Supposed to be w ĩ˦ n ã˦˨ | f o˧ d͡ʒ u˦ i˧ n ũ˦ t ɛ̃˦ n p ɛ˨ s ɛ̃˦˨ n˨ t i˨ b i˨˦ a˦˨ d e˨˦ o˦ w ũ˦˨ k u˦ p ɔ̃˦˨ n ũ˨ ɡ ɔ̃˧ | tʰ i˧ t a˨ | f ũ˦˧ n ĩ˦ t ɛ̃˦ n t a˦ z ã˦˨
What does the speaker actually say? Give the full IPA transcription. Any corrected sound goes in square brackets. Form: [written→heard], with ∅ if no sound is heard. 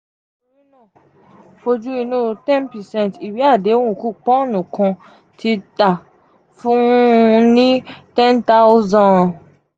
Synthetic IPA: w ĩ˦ n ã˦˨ | f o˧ d͡ʒ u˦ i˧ n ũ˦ t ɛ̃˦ n p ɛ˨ s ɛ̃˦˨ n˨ t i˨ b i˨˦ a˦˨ d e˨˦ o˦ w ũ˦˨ k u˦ [p→k͡p] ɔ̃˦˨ n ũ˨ [ɡ→k] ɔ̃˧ | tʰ i˧ t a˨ | f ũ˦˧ n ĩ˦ t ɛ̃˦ n t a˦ z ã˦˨